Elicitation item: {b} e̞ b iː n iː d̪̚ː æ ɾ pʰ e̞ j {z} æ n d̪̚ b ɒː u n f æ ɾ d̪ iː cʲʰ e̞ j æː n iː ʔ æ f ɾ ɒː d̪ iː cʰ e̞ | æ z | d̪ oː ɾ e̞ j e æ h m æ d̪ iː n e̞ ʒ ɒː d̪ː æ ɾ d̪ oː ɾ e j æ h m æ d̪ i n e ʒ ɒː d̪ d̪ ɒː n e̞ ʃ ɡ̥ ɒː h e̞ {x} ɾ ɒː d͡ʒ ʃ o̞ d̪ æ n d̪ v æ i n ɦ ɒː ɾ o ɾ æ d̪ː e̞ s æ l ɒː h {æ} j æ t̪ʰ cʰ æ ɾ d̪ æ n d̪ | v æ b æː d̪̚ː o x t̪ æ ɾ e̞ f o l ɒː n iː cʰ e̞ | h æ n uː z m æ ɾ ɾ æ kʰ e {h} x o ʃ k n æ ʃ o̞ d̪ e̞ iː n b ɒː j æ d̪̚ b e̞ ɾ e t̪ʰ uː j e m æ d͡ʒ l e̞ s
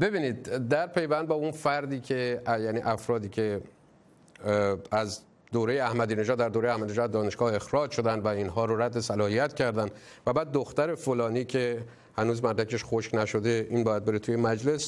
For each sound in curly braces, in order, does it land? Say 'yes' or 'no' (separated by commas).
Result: yes, no, yes, no, no